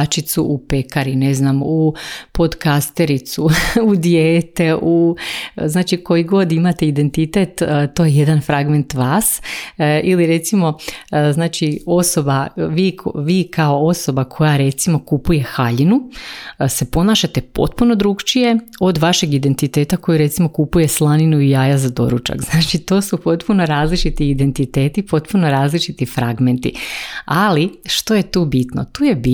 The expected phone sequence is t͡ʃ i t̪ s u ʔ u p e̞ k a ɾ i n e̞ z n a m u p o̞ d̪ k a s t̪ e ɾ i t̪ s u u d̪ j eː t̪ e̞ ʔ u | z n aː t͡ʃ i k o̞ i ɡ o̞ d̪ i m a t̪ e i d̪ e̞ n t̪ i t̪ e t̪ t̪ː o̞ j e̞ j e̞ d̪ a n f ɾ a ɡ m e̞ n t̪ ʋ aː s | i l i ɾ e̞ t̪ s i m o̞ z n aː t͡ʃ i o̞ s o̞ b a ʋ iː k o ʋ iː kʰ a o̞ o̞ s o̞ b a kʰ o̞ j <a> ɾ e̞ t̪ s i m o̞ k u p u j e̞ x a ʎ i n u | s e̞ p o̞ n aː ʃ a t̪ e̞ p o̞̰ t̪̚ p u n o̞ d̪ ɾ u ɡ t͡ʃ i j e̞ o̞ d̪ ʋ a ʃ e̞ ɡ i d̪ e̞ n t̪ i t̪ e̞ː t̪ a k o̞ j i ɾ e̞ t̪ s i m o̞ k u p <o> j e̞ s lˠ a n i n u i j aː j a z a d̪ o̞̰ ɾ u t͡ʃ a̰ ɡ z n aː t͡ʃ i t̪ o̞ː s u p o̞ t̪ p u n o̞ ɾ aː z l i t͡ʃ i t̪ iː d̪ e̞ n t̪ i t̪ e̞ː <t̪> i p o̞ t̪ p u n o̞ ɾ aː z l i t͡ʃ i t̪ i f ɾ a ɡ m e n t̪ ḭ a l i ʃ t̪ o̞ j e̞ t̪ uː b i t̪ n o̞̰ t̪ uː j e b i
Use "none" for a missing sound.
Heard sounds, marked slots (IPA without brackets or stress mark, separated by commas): a, u, t̪